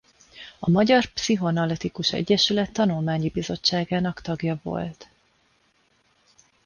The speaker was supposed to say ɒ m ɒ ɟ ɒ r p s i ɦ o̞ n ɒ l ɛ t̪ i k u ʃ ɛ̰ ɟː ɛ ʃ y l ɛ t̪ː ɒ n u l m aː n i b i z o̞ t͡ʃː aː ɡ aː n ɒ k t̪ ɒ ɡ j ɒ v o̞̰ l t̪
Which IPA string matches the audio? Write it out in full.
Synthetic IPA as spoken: ɒ m ɒ ɟ ɒ r p s i ɦ o̞ n ɒ l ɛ t̪ i k u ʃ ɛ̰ ɟː ɛ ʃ y l ɛ t̪ː ɒ n u l m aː ɲ i b i z o̞ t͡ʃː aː ɡ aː n ɒ k t̪ ɒ ɡ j ɒ v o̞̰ l t̪